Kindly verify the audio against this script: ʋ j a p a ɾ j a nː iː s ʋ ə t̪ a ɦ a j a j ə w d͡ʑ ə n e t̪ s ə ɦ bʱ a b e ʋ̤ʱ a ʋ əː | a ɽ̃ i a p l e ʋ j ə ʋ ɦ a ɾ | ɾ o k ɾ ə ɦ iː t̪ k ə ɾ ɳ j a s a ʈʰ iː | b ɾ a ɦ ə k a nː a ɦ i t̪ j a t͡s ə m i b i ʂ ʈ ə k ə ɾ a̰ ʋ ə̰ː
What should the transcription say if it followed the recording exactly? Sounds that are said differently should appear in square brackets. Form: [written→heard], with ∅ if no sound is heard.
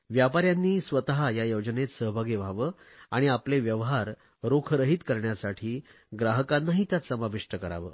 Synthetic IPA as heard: ʋ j a p a ɾ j a nː iː s ʋ ə t̪ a ɦ a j a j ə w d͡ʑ ə n e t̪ s ə ɦ bʱ a [b→ɡ] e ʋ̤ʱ a ʋ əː | a ɽ̃ i a p l e ʋ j ə ʋ ɦ a ɾ | ɾ o [k→kʰ] ɾ ə ɦ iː t̪ k ə ɾ ɳ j a s a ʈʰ iː | [b→ɡ] ɾ a ɦ ə k a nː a ɦ i t̪ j a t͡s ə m [i→a] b i ʂ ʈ ə k ə ɾ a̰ ʋ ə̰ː

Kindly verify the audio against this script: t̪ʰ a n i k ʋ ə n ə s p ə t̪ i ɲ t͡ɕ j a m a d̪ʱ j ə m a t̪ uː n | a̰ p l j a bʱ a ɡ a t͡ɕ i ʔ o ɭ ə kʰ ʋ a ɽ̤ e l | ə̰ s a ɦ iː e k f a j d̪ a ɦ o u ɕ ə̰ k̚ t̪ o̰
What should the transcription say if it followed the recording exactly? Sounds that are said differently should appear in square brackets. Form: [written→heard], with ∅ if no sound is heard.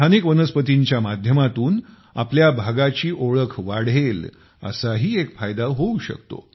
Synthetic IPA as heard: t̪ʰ a n i k ʋ ə n ə s p ə t̪ i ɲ t͡ɕ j a m a d̪ʱ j ə m a t̪ uː n | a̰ p l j a bʱ a ɡ a t͡ɕ [i→iː] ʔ o ɭ ə kʰ ʋ a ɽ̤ e l | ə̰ s a ɦ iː e k f a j d̪ a ɦ o u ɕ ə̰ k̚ t̪ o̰

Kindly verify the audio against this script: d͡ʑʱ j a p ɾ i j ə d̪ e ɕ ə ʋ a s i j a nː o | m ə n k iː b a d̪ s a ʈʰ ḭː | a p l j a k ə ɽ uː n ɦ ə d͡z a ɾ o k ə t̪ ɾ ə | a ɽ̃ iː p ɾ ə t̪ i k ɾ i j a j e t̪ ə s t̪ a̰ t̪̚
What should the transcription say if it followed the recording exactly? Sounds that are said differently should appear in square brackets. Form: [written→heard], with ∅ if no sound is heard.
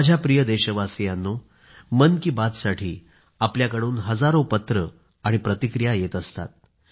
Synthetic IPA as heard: d͡ʑʱ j a p ɾ i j ə d̪ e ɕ ə ʋ a s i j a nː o | m ə n k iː b a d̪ s a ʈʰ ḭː | a p l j a k ə ɽ uː n ɦ ə d͡z a ɾ o [k→p] ə t̪ ɾ ə | a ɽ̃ [iː→i] p ɾ ə t̪ i k ɾ i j a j e t̪ ə s t̪ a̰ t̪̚

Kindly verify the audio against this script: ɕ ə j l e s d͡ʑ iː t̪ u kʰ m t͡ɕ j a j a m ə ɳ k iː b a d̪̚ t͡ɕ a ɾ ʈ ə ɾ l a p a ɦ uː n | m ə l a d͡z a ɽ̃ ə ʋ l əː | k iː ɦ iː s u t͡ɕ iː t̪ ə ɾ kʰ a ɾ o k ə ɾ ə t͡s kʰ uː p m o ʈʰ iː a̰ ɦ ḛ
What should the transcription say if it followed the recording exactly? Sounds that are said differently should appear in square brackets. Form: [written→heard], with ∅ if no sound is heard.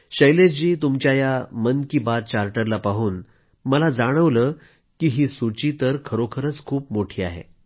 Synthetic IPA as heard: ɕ ə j l e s d͡ʑ iː t̪ u [kʰ→∅] m t͡ɕ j a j a m ə [ɳ→n] k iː b a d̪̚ t͡ɕ a ɾ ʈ ə ɾ l a p a ɦ uː n | m ə l a d͡z a ɽ̃ ə ʋ l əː | k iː ɦ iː s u t͡ɕ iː t̪ ə ɾ kʰ [a→ə] ɾ o [k→kʰ] ə ɾ ə t͡s kʰ uː p m o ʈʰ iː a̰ ɦ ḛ

